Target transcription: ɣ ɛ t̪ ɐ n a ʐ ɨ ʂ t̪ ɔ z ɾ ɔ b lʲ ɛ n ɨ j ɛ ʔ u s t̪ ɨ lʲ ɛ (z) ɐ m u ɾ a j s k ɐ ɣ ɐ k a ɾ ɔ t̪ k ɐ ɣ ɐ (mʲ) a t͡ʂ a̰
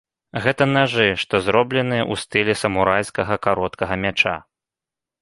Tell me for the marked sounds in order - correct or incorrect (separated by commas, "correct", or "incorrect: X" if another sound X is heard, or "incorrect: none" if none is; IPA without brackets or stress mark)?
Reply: incorrect: s, correct